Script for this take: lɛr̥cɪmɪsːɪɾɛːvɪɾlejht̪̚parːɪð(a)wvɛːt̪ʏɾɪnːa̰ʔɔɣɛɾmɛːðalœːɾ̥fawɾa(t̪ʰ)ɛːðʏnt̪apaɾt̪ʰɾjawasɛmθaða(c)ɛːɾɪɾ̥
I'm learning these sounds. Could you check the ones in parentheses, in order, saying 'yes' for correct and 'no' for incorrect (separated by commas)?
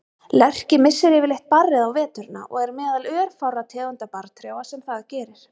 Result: yes, yes, yes